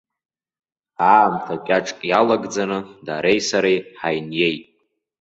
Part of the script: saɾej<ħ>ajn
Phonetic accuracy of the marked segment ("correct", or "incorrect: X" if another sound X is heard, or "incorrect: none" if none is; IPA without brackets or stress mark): correct